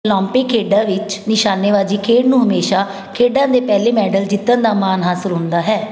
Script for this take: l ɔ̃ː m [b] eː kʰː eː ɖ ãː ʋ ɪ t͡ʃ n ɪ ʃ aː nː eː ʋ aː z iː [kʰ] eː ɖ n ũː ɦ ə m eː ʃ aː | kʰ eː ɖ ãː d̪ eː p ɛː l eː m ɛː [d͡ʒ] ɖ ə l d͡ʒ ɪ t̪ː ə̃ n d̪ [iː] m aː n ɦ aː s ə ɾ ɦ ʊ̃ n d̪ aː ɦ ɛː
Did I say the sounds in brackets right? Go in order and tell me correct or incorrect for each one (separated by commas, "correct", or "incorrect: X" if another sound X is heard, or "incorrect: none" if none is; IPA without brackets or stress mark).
incorrect: p, correct, incorrect: none, incorrect: aː